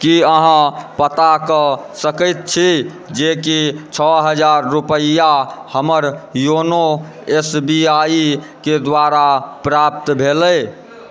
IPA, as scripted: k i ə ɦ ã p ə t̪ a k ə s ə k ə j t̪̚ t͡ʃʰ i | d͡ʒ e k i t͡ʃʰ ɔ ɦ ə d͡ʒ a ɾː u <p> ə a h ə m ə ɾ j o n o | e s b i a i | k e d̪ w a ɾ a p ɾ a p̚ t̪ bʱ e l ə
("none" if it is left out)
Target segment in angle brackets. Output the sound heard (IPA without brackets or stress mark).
p